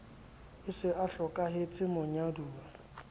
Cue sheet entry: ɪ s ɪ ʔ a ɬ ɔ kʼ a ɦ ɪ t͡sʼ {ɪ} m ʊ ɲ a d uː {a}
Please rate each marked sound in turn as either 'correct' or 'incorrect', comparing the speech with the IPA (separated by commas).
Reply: correct, correct